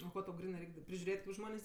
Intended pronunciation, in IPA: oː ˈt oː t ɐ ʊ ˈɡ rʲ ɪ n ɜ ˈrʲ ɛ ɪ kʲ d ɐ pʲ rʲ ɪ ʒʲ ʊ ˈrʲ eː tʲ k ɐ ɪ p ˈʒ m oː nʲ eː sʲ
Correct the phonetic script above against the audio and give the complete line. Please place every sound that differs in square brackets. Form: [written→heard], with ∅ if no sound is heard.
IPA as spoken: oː [ˈt→ˈk] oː t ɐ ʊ ˈɡ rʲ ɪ n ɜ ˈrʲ ɛ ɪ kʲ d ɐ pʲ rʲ ɪ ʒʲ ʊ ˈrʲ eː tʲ k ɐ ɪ p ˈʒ m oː nʲ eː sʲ